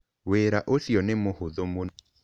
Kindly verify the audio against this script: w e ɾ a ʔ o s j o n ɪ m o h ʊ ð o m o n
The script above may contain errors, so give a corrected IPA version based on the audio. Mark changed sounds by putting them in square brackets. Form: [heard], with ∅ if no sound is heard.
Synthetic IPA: w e ɾ a ʔ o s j [ɔ] n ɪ m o h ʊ ð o m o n

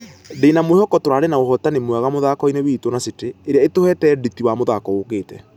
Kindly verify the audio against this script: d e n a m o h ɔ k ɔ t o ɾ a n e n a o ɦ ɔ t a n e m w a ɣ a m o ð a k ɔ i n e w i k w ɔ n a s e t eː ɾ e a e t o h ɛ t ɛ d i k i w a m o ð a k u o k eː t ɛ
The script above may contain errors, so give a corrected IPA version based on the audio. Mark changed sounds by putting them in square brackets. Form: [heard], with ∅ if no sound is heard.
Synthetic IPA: d e n a m o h ɔ k ɔ t o ɾ a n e n a o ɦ ɔ t a n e m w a ɣ a m o ð a k ɔ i n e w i [t] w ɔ n a s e t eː ɾ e a e t o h ɛ t ɛ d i [t] i w a m o ð a k [ɔ] o k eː t ɛ

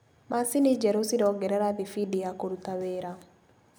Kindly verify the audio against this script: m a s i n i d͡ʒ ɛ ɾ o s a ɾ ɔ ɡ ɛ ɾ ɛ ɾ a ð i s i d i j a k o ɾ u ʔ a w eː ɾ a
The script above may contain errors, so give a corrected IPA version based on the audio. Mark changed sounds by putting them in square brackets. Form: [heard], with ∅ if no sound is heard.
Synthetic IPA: m a s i n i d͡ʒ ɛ ɾ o s [i] ɾ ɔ ɡ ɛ ɾ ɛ ɾ a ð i [f] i d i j a k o ɾ u [t] a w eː ɾ a

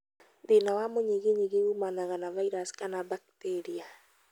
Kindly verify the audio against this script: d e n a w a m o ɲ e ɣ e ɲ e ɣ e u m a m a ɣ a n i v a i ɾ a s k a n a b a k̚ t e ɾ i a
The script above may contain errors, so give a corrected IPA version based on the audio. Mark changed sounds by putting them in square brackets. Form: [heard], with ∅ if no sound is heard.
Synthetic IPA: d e n a w a m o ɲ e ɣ e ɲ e ɣ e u m a [n] a ɣ a n [a] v a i ɾ a s k a n a b a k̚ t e ɾ i a

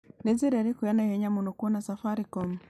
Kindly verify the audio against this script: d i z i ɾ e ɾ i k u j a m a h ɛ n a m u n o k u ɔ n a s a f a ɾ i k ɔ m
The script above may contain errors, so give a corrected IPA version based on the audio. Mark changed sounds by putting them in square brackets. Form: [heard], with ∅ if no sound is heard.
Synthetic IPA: [n] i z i ɾ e ɾ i k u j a [n] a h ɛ [ɲ] a m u n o k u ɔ n a s a f a ɾ i k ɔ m

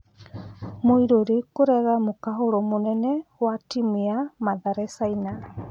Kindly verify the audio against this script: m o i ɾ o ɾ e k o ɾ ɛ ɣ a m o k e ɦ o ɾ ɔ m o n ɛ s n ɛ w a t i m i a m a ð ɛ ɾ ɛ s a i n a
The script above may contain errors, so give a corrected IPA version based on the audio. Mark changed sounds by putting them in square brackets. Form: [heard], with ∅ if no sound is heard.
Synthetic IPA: m o i ɾ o ɾ e k o ɾ ɛ ɣ a m o k [a] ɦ o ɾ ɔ m o n ɛ [∅] n ɛ w a t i m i a m a ð [a] ɾ ɛ s a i n a

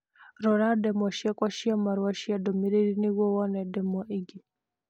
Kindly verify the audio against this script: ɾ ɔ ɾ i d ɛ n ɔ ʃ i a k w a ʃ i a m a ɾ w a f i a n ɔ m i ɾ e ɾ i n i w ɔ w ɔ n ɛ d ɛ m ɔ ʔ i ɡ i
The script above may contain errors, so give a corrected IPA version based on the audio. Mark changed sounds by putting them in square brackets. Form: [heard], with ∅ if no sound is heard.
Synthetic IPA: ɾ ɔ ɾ [a] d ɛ [m] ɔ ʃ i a k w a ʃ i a m a ɾ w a [ʃ] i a [d] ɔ m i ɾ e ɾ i n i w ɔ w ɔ n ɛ d ɛ m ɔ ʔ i ɡ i

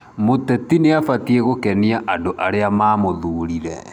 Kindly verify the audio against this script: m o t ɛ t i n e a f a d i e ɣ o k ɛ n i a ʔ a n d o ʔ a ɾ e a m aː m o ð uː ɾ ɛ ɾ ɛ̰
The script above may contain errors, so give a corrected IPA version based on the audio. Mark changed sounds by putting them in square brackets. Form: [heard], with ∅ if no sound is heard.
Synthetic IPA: m o t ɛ t i n e a f a [t] i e ɣ o k ɛ n i a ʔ a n d o ʔ a ɾ e a m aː m o ð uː ɾ [i] ɾ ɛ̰

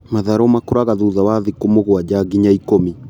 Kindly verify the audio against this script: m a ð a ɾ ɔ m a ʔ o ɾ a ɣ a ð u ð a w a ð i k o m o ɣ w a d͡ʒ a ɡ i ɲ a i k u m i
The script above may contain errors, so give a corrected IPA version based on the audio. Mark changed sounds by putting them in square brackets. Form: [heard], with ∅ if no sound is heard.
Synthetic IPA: m a ð a ɾ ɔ m a [k] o ɾ a ɣ a ð u ð a w a ð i k o m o ɣ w a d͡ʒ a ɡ i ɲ a i k [o] m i

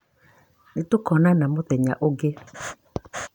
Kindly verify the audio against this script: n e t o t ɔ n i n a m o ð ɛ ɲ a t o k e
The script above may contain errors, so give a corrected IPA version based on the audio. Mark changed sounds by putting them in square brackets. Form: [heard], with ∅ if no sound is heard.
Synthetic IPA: n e t o [k] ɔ n [a] n a m o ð ɛ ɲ a [ʔ] o [ɡ] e

